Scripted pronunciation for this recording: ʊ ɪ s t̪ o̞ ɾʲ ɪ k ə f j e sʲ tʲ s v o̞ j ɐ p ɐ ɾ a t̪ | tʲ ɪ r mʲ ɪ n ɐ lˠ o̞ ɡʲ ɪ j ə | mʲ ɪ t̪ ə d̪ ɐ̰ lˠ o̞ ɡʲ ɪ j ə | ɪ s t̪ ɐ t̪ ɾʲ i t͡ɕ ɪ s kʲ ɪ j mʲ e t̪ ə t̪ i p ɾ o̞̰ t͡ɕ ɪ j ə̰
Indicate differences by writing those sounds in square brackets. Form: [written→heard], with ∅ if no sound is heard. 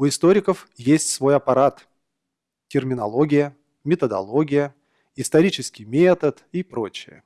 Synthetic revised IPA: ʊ ɪ s t̪ o̞ ɾʲ ɪ k ə f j e sʲ tʲ s v o̞ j ɐ p ɐ ɾ a t̪ | tʲ ɪ r mʲ ɪ n ɐ lˠ o̞ ɡʲ ɪ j ə | mʲ ɪ t̪ ə d̪ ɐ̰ lˠ o̞ ɡʲ ɪ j ə | ɪ s t̪ ɐ [t̪→∅] ɾʲ i t͡ɕ ɪ s kʲ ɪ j mʲ e t̪ ə t̪ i p ɾ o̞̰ t͡ɕ ɪ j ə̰